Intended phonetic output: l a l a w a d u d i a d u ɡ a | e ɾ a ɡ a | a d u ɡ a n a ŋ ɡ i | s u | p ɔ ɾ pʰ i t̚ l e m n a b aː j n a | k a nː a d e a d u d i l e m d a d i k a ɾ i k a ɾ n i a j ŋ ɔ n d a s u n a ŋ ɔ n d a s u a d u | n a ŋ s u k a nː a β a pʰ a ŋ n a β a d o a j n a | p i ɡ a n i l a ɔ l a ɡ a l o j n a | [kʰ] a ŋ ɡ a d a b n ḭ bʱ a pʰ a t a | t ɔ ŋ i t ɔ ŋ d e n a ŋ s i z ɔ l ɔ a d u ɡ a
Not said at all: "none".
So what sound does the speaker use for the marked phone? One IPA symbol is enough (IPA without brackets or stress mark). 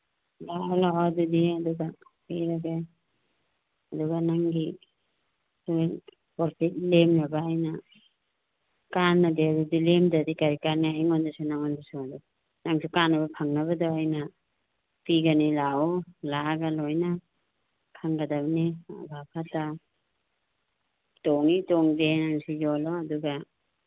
kʰ